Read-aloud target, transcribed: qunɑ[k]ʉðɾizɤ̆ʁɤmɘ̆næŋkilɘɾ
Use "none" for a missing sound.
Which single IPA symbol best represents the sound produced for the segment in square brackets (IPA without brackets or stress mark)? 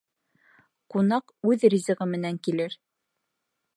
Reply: q